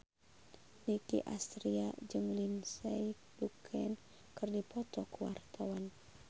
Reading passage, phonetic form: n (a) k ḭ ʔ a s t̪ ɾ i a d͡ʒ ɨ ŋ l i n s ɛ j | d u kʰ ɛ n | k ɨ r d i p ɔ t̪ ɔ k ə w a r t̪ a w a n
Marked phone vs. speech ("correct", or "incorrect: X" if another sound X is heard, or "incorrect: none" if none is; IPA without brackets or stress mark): incorrect: i